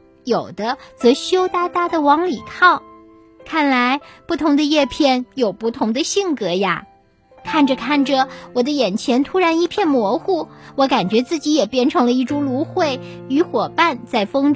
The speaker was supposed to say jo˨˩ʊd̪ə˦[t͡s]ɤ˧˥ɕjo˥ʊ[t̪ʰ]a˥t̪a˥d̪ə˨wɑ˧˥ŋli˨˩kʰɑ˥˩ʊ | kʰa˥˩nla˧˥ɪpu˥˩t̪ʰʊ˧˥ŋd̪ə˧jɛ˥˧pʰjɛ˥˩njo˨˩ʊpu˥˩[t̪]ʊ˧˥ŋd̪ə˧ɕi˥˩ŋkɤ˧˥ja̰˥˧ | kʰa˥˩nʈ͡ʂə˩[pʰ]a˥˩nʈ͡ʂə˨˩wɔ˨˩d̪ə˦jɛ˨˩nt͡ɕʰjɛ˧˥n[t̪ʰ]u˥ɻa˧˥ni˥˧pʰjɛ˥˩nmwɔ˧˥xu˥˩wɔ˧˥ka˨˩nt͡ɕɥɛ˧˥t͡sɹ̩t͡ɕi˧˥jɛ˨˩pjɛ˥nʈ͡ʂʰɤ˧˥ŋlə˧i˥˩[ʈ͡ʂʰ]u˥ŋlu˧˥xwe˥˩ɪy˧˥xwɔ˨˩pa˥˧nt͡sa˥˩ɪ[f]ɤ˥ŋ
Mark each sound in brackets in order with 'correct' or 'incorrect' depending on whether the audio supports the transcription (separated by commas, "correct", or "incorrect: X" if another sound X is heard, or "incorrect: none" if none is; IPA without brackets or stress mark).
correct, incorrect: t̪, incorrect: t̪ʰ, incorrect: kʰ, correct, incorrect: ʈ͡ʂ, correct